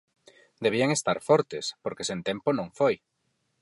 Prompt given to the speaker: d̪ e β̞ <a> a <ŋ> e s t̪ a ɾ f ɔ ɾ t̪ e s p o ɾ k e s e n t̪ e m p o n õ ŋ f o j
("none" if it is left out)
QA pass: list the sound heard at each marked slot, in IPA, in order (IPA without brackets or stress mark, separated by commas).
i, ŋ